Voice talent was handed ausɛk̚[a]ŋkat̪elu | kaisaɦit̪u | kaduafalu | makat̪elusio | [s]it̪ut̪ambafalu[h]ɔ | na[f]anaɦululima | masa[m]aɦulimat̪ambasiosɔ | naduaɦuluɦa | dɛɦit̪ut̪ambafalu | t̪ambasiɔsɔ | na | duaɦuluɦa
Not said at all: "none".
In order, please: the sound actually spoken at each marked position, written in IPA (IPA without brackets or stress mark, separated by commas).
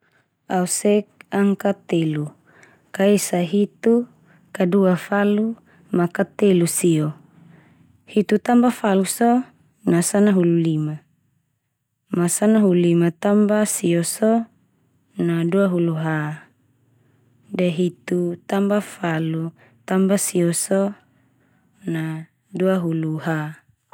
a, h, s, s, n